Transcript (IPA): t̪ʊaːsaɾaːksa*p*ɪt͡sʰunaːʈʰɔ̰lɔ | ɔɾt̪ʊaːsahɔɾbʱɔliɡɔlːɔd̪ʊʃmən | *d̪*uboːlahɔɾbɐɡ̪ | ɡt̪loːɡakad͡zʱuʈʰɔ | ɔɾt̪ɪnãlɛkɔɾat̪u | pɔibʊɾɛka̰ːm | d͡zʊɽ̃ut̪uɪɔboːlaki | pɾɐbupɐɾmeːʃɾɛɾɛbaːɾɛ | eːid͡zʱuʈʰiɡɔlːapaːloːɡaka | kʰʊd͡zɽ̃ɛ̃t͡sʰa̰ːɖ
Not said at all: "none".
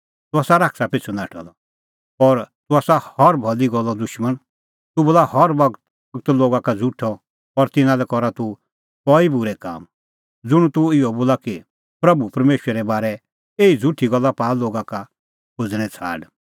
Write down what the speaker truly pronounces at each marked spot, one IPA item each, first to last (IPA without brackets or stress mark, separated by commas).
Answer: p, t̪